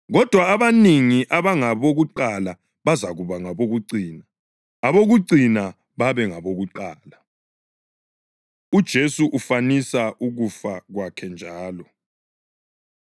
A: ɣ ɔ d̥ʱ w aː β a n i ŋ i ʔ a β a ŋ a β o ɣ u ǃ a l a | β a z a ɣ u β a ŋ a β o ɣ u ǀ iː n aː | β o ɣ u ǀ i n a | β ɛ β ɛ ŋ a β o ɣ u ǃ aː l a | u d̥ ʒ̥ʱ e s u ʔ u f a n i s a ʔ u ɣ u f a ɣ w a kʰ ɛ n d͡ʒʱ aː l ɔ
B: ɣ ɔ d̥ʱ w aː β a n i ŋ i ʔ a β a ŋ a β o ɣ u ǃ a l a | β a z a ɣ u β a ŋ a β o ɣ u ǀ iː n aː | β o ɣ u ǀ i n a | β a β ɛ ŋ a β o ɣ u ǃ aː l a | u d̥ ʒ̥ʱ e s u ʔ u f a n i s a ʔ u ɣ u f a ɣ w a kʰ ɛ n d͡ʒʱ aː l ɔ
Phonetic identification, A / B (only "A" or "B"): B